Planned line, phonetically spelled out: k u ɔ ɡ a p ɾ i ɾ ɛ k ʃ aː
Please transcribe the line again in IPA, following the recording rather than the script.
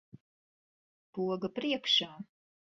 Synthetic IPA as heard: p u ɔ ɡ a p ɾ i ɛ k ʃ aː